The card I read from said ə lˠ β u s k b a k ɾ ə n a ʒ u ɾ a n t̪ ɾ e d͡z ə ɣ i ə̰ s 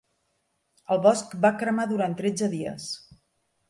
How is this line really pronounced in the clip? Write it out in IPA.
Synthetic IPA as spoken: ə lˠ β ɔ s k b a k ɾ ə m a ð u ɾ a n t̪ ɾ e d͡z ə ð i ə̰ s

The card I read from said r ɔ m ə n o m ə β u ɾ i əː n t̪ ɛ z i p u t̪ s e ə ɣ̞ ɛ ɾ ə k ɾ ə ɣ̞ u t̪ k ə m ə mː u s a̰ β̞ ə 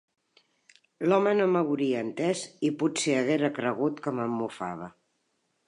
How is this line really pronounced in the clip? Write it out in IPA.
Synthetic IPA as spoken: l ɔ m ə n o m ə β u ɾ i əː n t̪ ɛ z i p u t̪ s e ə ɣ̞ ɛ ɾ ə k ɾ ə ɣ̞ u t̪ k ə m ə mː u f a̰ β̞ ə

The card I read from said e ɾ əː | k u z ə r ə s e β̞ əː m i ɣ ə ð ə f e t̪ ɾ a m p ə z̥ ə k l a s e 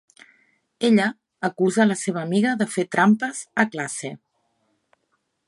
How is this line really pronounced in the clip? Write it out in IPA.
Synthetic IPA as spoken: e ʎ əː | k u z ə l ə s e β̞ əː m i ɣ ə ð ə f e t̪ ɾ a m p ə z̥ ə k l a s e

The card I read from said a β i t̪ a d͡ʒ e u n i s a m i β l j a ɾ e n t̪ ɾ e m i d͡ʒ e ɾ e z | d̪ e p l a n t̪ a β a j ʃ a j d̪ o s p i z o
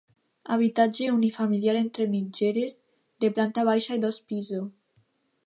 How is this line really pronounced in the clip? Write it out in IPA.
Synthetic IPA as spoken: a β i t̪ a d͡ʒ e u n i f a m i l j a ɾ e n t̪ ɾ e m i d͡ʒ e ɾ e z | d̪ e p l a n t̪ a β a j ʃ a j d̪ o s p i z o

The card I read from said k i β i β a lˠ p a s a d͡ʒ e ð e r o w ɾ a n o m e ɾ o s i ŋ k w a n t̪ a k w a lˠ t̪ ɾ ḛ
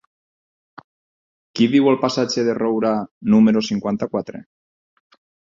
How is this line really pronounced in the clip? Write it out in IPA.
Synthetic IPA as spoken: k i β i w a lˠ p a s a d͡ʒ e ð e r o w ɾ a n u m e ɾ o s i ŋ k w a n t̪ a k w a t̪ ɾ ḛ

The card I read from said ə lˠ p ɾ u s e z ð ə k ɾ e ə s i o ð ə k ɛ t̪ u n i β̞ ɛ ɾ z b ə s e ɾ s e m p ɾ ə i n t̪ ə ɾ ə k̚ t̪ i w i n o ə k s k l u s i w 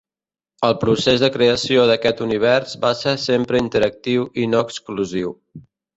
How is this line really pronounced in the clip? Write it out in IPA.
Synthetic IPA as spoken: ə lˠ p ɾ u s e z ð ə k ɾ e ə s i o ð ə k ɛ t̪ u n i β̞ ɛ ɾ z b a s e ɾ s e m p ɾ ə i n t̪ ə ɾ ə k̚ t̪ i w i n o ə k s k l u z i w

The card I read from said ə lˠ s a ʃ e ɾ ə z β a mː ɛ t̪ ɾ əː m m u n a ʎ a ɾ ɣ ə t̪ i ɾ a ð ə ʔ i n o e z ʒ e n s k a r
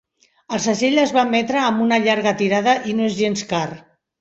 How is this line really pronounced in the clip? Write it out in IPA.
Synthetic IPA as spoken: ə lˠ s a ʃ e ʎ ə z β a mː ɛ t̪ ɾ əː m b u n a ʎ a ɾ ɣ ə t̪ i ɾ a ð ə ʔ i n o e z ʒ e n s k a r

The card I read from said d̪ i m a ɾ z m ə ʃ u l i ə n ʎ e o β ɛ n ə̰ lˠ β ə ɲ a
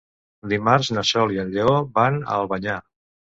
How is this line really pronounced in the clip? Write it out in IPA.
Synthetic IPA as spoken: d̪ i m a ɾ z n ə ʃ ɔ l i ə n ʎ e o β a n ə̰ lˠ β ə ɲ a

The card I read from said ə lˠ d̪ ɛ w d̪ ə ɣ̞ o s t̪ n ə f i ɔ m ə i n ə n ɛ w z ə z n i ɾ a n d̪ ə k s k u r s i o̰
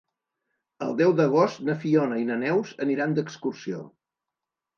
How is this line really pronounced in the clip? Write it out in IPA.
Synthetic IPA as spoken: ə lˠ d̪ ɛ w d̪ ə ɣ̞ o s t̪ n ə f i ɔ n ə i n ə n ɛ w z ə n i ɾ a n d̪ ə k s k u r s i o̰

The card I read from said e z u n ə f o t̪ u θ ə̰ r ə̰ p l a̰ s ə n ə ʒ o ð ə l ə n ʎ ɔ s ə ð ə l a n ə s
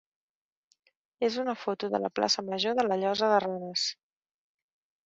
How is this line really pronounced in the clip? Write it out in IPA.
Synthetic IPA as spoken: e z u n ə f o t̪ u ð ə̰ l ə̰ p l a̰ s ə m ə ʒ o ð ə l ə ʎ ɔ z ə ð ə r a n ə s

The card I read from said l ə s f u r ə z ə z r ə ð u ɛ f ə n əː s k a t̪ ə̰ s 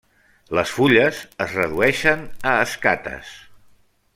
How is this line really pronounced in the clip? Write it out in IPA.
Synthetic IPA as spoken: l ə s f u ʎ ə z ə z r ə ð u ɛ ʃ ə n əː s k a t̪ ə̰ s

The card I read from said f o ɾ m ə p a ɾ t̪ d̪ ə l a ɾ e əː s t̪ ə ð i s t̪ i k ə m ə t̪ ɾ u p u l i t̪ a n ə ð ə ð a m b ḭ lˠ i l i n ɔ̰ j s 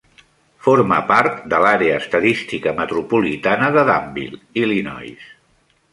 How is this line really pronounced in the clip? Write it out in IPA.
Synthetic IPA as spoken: f o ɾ m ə p a ɾ t̪ d̪ ə l a ɾ e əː s t̪ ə ð i s t̪ i k ə m ə t̪ ɾ u p u l i t̪ a n ə ð ə ð a m b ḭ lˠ i l i n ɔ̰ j s

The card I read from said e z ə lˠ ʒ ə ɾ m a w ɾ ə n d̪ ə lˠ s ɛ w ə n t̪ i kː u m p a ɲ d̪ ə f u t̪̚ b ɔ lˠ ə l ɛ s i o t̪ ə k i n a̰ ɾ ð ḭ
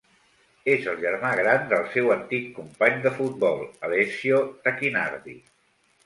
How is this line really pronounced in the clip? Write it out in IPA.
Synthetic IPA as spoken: e z ə lˠ ʒ ə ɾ m a ɣ ɾ a n d̪ ə lˠ s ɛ w ə n t̪ i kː u m p a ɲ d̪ ə f u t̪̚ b ɔ lˠ ə l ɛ s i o t̪ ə k i n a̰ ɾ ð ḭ

